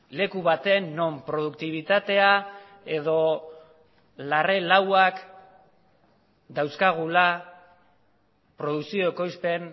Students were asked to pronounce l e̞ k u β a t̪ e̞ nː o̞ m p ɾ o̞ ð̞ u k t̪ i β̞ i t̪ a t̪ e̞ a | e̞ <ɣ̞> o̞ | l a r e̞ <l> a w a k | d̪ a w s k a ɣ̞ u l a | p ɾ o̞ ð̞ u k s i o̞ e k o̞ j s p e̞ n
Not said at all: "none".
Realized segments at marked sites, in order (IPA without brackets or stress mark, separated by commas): ð̞, l